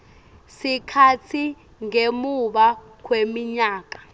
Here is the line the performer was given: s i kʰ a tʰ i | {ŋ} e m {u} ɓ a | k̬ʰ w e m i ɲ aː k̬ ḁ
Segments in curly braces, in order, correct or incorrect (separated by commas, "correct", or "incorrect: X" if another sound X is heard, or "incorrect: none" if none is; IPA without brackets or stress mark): correct, correct